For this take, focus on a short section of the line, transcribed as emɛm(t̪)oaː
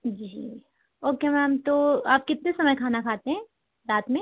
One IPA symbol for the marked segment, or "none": t̪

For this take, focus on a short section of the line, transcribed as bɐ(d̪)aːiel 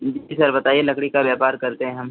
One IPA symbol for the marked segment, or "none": t̪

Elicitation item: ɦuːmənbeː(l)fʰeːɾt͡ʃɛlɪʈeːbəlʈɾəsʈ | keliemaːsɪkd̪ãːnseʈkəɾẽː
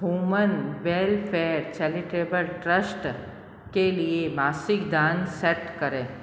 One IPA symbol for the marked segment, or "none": l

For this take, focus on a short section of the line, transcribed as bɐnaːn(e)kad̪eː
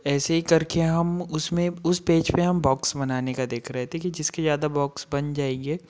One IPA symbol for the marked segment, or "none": e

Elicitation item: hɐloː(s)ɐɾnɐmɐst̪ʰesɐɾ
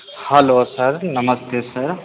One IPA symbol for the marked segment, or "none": s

